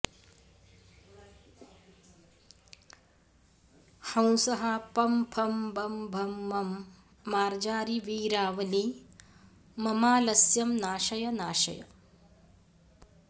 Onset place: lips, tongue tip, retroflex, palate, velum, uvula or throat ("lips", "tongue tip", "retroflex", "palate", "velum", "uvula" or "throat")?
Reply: throat